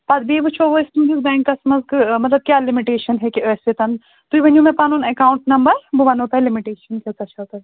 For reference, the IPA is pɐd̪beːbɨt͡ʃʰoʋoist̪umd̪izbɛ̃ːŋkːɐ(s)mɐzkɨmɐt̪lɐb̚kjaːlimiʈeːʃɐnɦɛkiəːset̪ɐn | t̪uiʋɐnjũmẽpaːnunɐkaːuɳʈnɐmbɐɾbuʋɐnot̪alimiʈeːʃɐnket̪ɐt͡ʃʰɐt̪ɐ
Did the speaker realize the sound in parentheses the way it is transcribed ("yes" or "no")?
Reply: yes